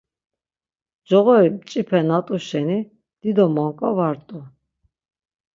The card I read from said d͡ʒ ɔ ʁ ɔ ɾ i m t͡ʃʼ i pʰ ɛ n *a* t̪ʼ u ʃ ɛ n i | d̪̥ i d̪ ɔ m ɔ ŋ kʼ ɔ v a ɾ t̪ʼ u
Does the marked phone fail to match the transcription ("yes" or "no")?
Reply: no